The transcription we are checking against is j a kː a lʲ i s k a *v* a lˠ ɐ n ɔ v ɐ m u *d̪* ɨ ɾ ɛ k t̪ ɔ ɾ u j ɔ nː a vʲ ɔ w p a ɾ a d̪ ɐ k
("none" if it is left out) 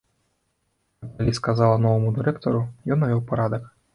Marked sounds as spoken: z, d̪

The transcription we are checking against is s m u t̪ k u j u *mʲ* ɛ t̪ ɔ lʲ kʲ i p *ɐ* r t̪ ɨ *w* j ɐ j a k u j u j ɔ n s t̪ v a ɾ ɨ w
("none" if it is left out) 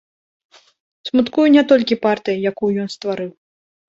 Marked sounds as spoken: nʲ, a, none

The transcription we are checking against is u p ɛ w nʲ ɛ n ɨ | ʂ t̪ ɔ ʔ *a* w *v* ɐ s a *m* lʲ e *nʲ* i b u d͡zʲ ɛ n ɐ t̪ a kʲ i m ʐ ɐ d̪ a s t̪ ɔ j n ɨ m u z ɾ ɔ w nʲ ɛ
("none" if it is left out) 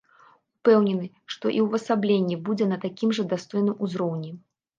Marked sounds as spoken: i, v, b, nʲː

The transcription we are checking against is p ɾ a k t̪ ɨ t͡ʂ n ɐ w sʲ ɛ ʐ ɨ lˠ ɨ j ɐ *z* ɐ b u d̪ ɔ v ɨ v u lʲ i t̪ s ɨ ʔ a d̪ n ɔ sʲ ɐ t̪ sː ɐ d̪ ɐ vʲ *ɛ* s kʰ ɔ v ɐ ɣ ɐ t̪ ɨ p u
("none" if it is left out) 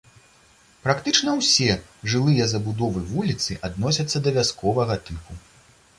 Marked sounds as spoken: z, a

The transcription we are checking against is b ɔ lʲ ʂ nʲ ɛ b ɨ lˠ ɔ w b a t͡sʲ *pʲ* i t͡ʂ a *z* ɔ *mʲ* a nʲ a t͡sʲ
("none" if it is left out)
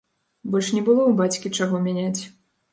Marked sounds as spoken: kʲ, ɣ, mʲ

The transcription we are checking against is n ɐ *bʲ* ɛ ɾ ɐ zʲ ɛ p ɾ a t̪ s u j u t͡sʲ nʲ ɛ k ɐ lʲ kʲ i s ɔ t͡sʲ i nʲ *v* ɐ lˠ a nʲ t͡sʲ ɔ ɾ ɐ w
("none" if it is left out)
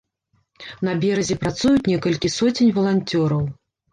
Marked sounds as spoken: bʲ, v

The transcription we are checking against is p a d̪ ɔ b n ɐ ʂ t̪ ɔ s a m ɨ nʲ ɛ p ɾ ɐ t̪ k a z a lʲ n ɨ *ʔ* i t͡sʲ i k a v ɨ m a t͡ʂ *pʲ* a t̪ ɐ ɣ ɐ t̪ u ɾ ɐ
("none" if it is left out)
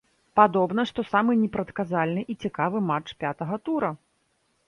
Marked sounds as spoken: ʔ, pʲ

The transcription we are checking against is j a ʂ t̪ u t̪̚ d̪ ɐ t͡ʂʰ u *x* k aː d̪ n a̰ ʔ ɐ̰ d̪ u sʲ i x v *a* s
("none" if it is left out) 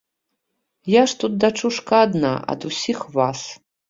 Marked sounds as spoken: ʂ, a

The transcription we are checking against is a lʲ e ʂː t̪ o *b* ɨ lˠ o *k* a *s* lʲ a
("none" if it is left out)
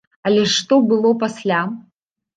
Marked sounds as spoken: b, p, s

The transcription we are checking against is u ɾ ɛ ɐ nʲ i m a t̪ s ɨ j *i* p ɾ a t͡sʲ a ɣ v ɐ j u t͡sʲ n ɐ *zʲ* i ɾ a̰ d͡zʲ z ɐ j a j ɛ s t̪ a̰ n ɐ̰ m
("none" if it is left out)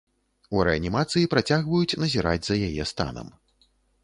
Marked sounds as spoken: i, zʲ

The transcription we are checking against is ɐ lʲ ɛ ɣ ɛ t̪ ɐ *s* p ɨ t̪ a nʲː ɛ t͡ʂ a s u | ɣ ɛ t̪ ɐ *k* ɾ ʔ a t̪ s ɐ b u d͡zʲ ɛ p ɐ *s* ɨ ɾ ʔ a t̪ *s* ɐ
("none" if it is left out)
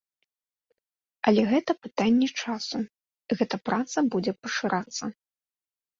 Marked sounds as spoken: none, p, ʂ, sː

